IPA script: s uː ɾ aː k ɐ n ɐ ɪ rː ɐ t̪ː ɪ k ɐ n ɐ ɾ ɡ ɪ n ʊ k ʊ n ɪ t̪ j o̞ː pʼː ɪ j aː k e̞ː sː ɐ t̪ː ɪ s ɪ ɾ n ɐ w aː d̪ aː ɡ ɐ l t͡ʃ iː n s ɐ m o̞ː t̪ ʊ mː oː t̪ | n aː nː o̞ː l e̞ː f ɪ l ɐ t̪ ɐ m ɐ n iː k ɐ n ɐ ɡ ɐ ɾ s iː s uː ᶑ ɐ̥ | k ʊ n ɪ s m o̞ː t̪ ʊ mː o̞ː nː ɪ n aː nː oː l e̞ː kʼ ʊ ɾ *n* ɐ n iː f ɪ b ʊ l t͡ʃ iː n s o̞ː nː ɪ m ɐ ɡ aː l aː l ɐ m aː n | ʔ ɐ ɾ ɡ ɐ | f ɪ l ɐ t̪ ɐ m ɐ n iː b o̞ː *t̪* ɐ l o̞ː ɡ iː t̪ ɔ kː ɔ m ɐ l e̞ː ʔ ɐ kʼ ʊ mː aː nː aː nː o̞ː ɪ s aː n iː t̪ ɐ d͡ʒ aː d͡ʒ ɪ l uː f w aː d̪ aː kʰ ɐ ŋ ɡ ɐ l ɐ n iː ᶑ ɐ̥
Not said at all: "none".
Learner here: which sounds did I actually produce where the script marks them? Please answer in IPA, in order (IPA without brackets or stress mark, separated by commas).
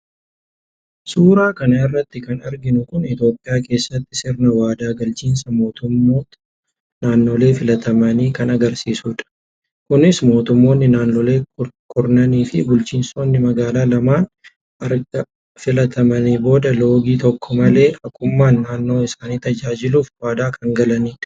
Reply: n, d̪